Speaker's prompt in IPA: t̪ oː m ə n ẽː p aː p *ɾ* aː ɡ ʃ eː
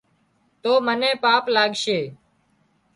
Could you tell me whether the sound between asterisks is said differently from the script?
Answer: yes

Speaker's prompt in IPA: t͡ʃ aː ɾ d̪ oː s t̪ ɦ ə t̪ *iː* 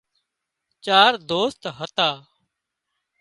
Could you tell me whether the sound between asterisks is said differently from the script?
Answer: yes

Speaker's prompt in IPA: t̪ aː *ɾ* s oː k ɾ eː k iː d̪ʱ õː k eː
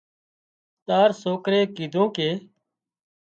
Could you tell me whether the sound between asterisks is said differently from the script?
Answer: no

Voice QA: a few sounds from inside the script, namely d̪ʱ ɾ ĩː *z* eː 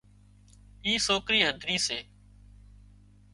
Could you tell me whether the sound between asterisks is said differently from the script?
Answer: yes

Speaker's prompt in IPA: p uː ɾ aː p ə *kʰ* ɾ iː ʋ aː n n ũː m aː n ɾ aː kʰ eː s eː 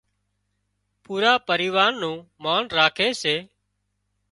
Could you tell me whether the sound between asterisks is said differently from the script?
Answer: yes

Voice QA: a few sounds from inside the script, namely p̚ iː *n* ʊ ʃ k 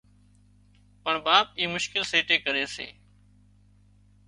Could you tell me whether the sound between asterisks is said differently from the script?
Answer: yes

